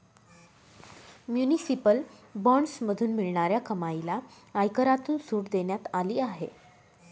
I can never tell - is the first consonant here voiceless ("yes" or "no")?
no